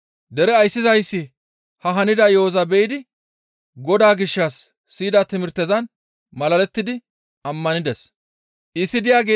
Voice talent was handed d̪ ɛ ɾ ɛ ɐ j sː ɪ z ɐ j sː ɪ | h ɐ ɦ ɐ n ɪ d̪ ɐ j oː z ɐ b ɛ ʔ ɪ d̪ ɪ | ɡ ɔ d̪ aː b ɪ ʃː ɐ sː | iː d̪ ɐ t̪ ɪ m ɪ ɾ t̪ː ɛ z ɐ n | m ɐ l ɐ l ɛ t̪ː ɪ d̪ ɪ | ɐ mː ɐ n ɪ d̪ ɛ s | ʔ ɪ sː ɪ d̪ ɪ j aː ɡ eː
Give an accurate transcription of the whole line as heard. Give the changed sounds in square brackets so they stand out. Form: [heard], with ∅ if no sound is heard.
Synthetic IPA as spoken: d̪ ɛ ɾ ɛ ɐ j sː ɪ z ɐ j sː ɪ | h ɐ ɦ ɐ n ɪ d̪ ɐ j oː z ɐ b ɛ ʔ ɪ d̪ ɪ | ɡ ɔ d̪ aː [ɡ] ɪ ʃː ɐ sː | iː d̪ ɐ t̪ ɪ m ɪ ɾ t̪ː ɛ z ɐ n | m ɐ l ɐ l ɛ t̪ː ɪ d̪ ɪ | ɐ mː ɐ n ɪ d̪ ɛ s | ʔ ɪ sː ɪ d̪ ɪ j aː ɡ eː